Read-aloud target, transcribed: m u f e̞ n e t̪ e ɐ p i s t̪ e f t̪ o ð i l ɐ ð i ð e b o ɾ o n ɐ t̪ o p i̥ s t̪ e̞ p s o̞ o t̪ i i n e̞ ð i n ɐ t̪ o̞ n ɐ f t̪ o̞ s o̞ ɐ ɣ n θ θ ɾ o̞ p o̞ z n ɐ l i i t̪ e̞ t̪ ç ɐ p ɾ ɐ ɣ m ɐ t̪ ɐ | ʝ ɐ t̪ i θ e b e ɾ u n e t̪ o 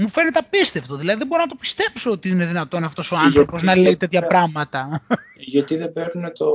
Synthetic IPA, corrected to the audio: m u f e̞ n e t̪ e ɐ p i s t̪ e f t̪ o ð i l ɐ ð i ð e b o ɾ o n ɐ t̪ o p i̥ s t̪ e̞ p s o̞ o t̪ i i n e̞ ð i n ɐ t̪ o̞ n ɐ f t̪ o̞ s o̞ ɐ n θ θ ɾ o̞ p o̞ z n ɐ l e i t̪ e̞ t̪ ç ɐ p ɾ ɐ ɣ m ɐ t̪ ɐ | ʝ ɐ t̪ i ð e b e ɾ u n e t̪ o